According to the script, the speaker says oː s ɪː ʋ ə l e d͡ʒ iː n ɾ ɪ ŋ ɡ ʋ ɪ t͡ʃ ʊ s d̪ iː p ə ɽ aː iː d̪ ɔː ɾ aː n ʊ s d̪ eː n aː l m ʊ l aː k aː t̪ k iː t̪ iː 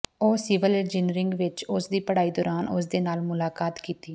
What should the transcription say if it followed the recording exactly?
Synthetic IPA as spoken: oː s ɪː ʋ ə l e d͡ʒ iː n ɾ ɪ ŋ ɡ ʋ ɪ t͡ʃ ʊ s d̪ iː p ə ɽ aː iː d̪ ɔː ɾ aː n ʊ s d̪ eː n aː l m ʊ l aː k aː t̪ k iː t̪ iː